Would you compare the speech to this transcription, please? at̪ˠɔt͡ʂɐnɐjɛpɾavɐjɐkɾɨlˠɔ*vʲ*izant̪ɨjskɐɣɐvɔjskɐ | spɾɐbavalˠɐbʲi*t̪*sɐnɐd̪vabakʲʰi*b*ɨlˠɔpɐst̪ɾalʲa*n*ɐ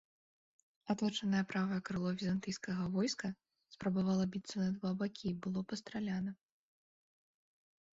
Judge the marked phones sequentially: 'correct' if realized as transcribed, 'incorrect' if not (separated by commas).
correct, correct, correct, correct